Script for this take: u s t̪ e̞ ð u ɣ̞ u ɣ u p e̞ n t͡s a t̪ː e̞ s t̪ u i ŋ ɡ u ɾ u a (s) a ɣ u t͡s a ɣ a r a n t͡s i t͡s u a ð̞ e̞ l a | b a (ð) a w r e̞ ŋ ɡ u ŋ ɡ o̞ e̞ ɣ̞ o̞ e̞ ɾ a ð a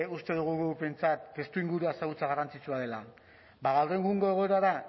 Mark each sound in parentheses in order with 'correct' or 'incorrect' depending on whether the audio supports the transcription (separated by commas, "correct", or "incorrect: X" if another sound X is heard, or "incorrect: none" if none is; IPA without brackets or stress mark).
correct, incorrect: ɣ